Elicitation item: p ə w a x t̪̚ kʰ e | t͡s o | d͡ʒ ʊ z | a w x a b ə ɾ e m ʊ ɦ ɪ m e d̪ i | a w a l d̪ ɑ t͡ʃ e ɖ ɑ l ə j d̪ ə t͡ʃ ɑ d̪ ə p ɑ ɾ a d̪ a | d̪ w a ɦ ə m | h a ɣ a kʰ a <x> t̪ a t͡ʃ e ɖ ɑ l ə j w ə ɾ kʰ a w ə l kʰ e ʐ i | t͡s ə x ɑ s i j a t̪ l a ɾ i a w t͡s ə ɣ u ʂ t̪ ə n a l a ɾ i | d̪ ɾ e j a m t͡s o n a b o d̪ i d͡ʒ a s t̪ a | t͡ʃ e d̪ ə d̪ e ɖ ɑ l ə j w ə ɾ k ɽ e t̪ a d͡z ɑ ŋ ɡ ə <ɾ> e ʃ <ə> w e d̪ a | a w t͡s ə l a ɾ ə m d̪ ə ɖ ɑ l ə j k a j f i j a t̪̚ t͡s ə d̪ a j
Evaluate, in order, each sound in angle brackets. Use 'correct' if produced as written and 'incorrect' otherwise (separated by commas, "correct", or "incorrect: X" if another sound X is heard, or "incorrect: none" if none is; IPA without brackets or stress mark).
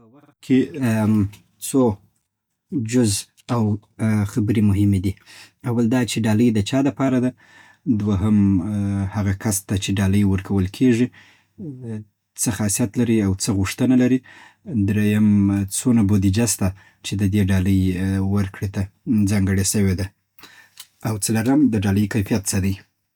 incorrect: s, incorrect: ɽ, correct